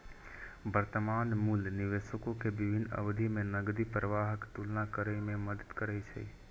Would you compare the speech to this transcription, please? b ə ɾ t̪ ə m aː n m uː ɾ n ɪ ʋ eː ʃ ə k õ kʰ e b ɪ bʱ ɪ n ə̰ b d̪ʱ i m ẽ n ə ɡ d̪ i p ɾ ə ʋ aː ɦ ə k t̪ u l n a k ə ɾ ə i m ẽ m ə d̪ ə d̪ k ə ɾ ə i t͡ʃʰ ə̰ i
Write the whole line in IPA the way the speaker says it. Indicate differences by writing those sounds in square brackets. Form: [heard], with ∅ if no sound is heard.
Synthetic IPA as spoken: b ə ɾ t̪ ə m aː n m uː [l] n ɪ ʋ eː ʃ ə k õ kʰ e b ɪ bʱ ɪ n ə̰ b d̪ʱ i m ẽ n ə ɡ d̪ i p ɾ ə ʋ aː ɦ ə k t̪ u l n a k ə ɾ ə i m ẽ m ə d̪ ə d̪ k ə ɾ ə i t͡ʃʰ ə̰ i